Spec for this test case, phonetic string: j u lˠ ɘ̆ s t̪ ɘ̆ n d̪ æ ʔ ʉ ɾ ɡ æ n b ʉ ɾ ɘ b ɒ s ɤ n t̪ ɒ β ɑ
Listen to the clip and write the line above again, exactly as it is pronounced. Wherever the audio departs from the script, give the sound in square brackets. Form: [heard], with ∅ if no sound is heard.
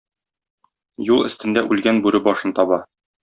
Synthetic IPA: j u lˠ ɘ̆ s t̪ ɘ̆ n d̪ æ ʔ ʉ [l] ɡ æ n b ʉ ɾ ɘ b ɒ [ʃ] ɤ n t̪ ɒ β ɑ